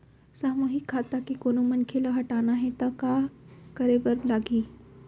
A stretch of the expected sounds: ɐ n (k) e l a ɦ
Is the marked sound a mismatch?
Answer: yes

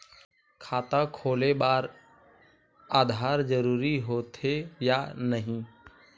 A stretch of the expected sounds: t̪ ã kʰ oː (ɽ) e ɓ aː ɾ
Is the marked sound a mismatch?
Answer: yes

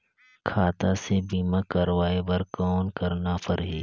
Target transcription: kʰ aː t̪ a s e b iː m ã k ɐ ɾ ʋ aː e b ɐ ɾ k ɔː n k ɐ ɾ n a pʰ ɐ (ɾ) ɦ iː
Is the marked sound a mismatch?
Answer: no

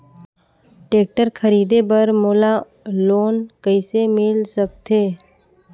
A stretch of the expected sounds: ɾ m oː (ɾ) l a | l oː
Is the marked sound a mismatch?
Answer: yes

